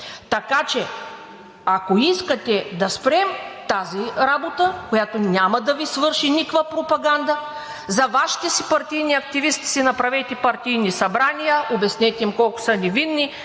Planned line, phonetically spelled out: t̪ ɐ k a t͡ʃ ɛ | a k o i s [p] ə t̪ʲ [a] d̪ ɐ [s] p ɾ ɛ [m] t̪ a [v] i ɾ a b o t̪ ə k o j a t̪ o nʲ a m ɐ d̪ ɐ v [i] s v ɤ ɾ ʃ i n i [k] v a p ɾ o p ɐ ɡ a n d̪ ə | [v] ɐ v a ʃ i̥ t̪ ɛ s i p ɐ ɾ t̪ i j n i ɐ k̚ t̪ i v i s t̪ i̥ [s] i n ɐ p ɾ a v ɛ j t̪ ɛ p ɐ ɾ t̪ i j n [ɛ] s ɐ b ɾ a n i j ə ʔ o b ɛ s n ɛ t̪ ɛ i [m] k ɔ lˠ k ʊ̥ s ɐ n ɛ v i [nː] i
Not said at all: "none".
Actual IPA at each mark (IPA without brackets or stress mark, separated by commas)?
k, ɛ, s, m, z, i, k, z, s, i, m, nː